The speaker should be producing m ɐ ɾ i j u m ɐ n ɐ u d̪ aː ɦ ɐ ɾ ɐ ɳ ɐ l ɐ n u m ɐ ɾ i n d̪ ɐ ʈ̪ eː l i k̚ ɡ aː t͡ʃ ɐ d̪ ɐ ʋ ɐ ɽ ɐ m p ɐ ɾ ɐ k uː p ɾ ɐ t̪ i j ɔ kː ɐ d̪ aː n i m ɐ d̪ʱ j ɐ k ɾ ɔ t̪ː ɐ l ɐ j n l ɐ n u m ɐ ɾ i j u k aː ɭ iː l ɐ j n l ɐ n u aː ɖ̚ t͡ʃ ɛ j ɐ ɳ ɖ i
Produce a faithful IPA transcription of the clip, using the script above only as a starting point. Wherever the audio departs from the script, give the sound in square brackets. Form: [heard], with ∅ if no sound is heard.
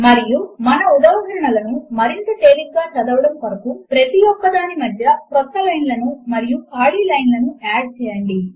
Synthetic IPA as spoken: m ɐ ɾ i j u m ɐ n ɐ u d̪ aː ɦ ɐ ɾ ɐ ɳ ɐ l ɐ n u m ɐ ɾ i n [t̪] ɐ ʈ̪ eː l i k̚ ɡ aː t͡ʃ ɐ d̪ ɐ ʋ ɐ ɽ ɐ m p ɐ ɾ ɐ k [u] p ɾ ɐ t̪ i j ɔ kː ɐ d̪ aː n i m ɐ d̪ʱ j ɐ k ɾ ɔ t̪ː ɐ l ɐ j n l ɐ n u m ɐ ɾ i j u k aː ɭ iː l ɐ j n l ɐ n u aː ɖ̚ t͡ʃ [ɛː] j ɐ ɳ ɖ i